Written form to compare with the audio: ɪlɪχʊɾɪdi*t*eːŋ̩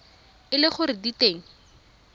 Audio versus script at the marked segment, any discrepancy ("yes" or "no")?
no